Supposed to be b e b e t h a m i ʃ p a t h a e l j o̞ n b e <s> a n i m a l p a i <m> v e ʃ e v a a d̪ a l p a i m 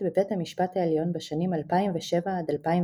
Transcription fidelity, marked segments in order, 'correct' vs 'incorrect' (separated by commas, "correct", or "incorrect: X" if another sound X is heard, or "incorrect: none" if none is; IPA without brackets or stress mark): incorrect: ʃ, correct